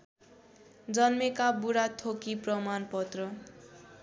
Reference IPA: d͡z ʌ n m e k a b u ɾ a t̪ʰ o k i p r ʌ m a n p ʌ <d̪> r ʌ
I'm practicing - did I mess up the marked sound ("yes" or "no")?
yes